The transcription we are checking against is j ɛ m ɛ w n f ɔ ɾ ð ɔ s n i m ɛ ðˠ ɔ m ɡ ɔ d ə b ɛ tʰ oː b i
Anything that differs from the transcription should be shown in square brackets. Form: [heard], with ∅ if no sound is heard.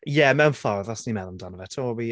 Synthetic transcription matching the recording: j ɛ m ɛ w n f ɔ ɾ ð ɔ s n i m ɛ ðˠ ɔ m [d] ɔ [n] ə [v] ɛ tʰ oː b i